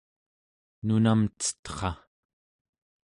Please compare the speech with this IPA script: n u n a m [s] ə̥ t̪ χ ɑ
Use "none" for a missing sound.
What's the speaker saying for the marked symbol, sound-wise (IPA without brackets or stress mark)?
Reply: t͡s